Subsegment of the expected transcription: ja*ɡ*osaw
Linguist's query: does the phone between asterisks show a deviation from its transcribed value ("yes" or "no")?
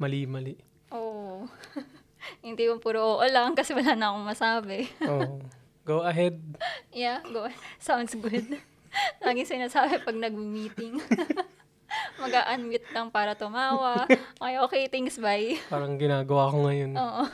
no